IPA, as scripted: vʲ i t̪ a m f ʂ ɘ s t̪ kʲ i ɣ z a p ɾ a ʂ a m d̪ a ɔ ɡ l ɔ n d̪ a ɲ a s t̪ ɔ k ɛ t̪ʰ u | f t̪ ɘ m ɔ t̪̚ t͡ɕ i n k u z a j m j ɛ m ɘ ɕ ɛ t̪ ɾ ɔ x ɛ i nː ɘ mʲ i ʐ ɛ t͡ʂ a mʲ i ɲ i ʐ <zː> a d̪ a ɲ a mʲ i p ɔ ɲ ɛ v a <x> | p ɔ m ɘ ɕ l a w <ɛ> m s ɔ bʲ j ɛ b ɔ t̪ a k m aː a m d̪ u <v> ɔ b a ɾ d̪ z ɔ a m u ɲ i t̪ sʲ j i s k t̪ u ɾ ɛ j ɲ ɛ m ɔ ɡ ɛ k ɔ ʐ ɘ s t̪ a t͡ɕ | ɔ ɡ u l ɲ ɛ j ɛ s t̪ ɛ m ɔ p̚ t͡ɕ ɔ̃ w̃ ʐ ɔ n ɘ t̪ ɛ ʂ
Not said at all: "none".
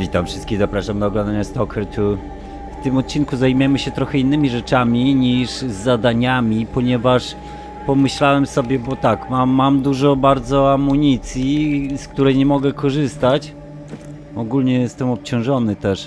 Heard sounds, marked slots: zː, ʂ, ɛ, ʐ

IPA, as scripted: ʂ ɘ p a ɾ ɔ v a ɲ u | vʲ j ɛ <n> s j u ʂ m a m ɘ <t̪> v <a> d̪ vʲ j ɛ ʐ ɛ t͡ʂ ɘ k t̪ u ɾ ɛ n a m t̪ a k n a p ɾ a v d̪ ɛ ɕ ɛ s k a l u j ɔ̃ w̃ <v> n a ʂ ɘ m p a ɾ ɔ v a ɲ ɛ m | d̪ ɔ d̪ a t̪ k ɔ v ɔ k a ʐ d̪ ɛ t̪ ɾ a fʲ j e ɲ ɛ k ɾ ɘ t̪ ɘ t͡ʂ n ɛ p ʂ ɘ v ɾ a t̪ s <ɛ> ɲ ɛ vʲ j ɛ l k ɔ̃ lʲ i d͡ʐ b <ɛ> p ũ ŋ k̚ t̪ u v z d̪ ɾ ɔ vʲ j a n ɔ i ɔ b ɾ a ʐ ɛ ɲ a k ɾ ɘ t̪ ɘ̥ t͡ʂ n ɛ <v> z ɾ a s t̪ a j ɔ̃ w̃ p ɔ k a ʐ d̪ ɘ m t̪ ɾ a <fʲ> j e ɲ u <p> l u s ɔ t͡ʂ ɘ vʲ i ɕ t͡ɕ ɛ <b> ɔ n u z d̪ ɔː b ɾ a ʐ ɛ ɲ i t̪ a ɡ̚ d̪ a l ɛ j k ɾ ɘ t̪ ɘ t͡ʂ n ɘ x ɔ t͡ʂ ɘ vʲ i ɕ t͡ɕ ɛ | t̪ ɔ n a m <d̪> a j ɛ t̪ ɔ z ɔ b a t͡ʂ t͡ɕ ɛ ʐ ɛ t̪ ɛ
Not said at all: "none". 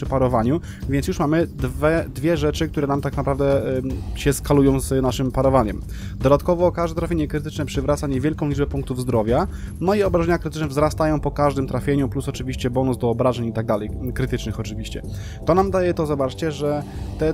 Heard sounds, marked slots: n, d̪, ɛ, z, a, ɛ, v, fʲ, p, b, d̪

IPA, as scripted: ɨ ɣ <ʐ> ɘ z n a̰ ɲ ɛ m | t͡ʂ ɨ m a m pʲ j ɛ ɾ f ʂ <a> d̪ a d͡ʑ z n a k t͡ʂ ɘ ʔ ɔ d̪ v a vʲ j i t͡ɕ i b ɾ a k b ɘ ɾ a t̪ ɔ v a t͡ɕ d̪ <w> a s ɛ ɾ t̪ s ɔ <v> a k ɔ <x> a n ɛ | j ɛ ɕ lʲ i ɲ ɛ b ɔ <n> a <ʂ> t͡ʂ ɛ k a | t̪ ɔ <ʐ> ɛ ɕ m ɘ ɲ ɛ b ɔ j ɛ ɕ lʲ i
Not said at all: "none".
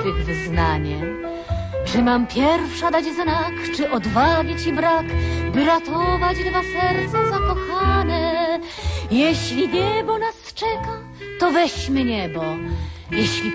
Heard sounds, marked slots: v, a, v, z, x, n, s, v

